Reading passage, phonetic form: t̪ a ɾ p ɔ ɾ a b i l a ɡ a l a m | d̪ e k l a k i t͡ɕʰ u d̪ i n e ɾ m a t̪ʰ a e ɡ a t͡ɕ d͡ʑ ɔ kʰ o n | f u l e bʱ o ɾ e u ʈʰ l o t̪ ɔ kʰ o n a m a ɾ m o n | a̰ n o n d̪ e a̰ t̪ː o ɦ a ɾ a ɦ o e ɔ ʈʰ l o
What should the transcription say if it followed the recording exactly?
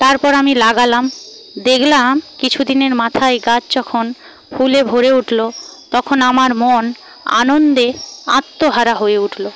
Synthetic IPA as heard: t̪ a ɾ p ɔ ɾ a m i l a ɡ a l a m | d̪ e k l a k i t͡ɕʰ u d̪ i n e ɾ m a t̪ʰ a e ɡ a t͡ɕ d͡ʑ ɔ kʰ o n | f u l e bʱ o ɾ e u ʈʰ l o t̪ ɔ kʰ o n a m a ɾ m o n | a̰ n o n d̪ e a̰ t̪ː o ɦ a ɾ a ɦ o e u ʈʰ l o